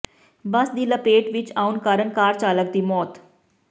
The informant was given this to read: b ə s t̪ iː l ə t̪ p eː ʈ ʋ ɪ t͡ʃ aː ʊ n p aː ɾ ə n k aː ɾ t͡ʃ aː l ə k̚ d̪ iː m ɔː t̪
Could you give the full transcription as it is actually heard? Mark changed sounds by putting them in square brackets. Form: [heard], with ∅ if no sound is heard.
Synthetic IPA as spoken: b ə s [d̪] iː l ə [∅] p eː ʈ ʋ ɪ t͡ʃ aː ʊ n [k] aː ɾ ə n k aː ɾ t͡ʃ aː l ə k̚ d̪ iː m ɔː t̪